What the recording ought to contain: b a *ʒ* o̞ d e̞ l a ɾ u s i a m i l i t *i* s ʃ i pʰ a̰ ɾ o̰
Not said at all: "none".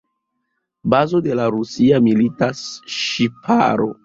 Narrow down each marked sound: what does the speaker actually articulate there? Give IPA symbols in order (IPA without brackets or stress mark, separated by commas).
z, a